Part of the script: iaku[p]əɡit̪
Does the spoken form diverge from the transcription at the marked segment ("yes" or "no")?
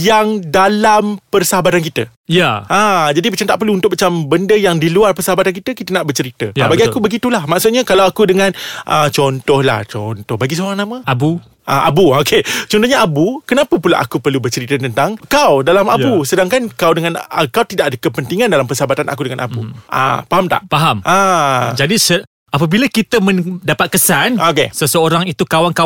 yes